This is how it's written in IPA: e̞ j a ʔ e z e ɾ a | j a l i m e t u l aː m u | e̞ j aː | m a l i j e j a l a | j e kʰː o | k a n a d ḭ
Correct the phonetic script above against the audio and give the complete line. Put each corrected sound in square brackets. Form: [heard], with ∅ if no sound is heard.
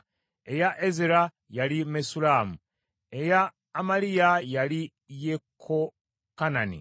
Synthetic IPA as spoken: e̞ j a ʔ e z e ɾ a | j a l i m e [s] u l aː m u | e̞ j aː | m a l i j [a] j a l [i] | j e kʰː o | k a n a [n] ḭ